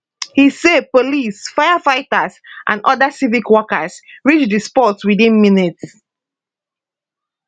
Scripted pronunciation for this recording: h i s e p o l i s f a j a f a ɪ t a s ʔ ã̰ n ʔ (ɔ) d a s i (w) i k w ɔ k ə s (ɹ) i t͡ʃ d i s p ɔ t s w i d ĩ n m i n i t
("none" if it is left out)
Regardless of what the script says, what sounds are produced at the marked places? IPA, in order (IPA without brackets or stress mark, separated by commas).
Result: ɔ, v, ɹ